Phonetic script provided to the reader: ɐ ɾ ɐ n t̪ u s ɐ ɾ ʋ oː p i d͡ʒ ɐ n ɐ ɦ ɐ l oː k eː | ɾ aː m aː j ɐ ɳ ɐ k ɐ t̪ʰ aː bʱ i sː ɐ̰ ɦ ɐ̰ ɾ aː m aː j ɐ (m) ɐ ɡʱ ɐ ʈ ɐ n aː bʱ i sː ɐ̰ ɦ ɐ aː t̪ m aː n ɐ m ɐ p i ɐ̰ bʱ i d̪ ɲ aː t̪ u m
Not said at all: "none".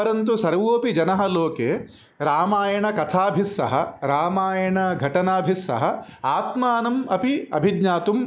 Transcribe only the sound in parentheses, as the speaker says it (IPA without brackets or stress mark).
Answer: ɳ